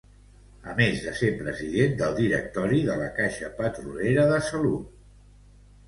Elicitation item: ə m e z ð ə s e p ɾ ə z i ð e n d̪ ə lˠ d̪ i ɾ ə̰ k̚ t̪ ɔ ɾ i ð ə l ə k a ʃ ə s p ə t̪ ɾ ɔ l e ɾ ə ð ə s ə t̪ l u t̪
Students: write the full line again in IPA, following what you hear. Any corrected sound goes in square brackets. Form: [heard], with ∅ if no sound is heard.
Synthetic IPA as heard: ə m e z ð ə s e p ɾ ə z i ð e n d̪ ə lˠ d̪ i ɾ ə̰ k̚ t̪ ɔ ɾ i ð ə l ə k a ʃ ə [∅] p ə t̪ ɾ [u] l e ɾ ə ð ə s ə [∅] l u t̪